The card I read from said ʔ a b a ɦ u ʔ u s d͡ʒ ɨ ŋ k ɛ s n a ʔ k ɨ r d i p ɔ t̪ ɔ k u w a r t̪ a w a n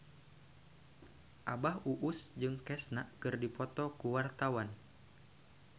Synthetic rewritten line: ʔ a b a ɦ u ʔ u s d͡ʒ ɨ ŋ k ɛ s n a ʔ k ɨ r d i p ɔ t̪ ɔ k u w a r t̪ a w a n

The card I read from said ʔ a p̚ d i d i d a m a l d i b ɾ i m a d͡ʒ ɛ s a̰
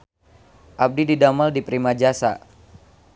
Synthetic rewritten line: ʔ a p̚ d i d i d a m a l d i p ɾ i m a d͡ʒ a s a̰

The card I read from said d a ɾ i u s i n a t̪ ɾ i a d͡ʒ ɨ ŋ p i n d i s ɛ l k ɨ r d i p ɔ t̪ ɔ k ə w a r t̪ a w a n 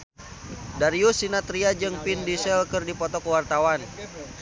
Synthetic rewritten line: d a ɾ i u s i n a t̪ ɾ i a d͡ʒ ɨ ŋ p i n d i s ɛ l k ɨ r d i p ɔ t̪ ɔ k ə w a r t̪ a w a n

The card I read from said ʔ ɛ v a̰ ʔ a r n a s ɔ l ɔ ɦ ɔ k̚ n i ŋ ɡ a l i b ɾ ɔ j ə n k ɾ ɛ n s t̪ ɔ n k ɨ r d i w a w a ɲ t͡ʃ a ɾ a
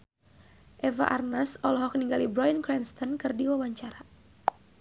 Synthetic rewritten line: ʔ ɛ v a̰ ʔ a r n a s ɔ l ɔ ɦ ɔ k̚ n i ŋ ɡ a l i b ɾ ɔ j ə n k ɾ ɛ n s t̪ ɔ n k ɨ r d i w a w a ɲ t͡ʃ a ɾ a

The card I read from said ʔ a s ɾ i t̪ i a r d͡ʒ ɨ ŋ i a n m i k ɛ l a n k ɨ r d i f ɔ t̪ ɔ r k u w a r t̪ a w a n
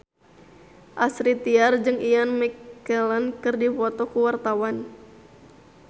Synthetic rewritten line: ʔ a s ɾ i t̪ i a r d͡ʒ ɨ ŋ i a n m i k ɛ l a n k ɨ r d i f ɔ t̪ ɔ k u w a r t̪ a w a n

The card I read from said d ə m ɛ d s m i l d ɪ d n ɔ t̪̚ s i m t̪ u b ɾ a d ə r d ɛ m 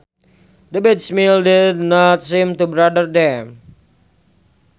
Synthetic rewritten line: d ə b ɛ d s m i l d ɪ d n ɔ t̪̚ s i m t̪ u b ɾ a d ə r d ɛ m

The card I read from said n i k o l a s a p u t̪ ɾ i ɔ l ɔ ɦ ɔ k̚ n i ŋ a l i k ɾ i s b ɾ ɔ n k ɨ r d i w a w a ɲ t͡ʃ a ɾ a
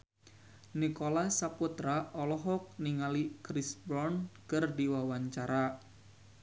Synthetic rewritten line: n i k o l a s a p u t̪ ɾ a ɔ l ɔ ɦ ɔ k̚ n i ŋ a l i k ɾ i s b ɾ ɔ n k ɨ r d i w a w a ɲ t͡ʃ a ɾ a

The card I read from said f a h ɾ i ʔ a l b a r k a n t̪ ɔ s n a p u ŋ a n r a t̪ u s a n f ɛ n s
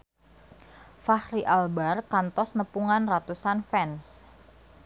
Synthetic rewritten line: f a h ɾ i ʔ a l b a r k a n t̪ ɔ s n ə p u ŋ a n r a t̪ u s a n f ɛ n s

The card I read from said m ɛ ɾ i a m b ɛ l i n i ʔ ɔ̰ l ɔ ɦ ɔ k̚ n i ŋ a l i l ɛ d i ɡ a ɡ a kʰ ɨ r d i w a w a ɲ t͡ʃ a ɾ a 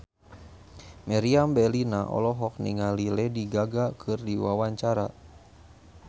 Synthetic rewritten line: m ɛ ɾ i a m b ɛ l i n a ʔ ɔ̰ l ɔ ɦ ɔ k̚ n i ŋ a l i l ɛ d i ɡ a ɡ a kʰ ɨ r d i w a w a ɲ t͡ʃ a ɾ a

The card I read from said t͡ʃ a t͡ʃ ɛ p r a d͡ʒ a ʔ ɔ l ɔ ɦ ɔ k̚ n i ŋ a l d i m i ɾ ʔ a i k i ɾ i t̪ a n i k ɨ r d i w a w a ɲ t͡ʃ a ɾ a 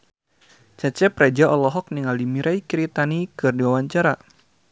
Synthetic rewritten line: t͡ʃ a t͡ʃ ɛ p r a d͡ʒ a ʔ ɔ l ɔ ɦ ɔ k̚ n i ŋ a l d i m i ɾ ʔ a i k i ɾ i t̪ a n i k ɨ r d i w a w a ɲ t͡ʃ a ɾ a

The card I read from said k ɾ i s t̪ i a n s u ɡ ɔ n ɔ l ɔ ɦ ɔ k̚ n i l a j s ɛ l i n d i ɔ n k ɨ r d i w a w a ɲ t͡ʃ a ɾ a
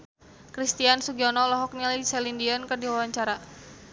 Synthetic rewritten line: k ɾ i s t̪ i a n s u ɡ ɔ n ɔ l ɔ ɦ ɔ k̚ n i l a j s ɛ l i n d i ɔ n k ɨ r d i w a w a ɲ t͡ʃ a ɾ a

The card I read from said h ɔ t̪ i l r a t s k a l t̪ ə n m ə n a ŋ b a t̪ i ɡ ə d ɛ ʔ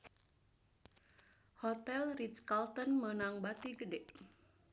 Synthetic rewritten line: h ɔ t̪ ɛ l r i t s k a l t̪ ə n m ə n a ŋ b a t̪ i ɡ ə d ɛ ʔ

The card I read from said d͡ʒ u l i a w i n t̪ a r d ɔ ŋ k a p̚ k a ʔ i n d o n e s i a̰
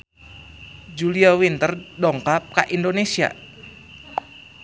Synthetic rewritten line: d͡ʒ u l i a w i n t̪ ə r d ɔ ŋ k a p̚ k a ʔ i n d o n e s i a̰

